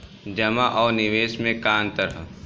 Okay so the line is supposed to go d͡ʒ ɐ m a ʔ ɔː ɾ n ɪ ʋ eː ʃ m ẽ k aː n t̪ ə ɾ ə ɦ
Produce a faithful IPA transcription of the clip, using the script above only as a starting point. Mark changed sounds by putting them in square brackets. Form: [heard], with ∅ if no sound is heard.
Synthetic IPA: d͡ʒ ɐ m a ʔ ɔː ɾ n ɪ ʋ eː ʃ m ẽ k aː n t̪ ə ɾ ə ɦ

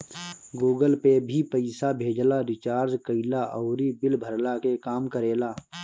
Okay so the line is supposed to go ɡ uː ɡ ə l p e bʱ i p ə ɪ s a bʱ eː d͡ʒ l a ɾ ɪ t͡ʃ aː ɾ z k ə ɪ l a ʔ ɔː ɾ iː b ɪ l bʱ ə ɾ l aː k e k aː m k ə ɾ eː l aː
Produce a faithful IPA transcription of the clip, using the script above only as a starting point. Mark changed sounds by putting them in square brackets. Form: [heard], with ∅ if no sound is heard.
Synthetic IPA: ɡ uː ɡ ə l p e bʱ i p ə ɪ s a bʱ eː d͡ʒ l a ɾ ɪ t͡ʃ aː ɾ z k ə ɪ l a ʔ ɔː ɾ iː b ɪ l bʱ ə ɾ l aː k e k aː m k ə ɾ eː l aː

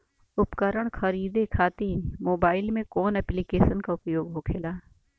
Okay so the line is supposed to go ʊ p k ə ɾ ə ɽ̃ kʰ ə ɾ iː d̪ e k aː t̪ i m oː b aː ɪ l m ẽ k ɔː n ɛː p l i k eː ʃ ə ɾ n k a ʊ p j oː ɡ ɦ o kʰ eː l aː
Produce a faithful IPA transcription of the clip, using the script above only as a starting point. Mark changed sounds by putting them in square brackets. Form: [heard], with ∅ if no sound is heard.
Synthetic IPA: ʊ p k ə ɾ ə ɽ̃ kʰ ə ɾ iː d̪ e [kʰ] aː t̪ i m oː b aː ɪ l m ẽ k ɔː n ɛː p l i k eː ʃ ə [∅] n k a ʊ p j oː ɡ ɦ o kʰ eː l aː

